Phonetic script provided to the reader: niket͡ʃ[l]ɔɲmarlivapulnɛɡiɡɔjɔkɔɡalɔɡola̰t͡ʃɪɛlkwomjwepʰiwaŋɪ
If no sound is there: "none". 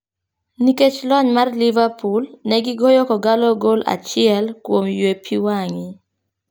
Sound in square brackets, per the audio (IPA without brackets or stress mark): l